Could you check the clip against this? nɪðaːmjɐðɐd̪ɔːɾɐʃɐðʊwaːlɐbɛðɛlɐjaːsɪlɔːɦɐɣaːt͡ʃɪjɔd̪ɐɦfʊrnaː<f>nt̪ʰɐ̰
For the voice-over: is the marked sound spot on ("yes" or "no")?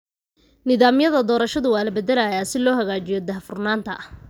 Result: no